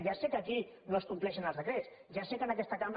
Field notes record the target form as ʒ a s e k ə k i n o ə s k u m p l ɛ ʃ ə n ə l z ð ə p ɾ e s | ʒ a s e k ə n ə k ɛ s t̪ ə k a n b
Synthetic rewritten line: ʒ a s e k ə k i n o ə s k u m p l ɛ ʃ ə n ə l z ð ə k ɾ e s | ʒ a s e k ə n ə k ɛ s t̪ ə k a m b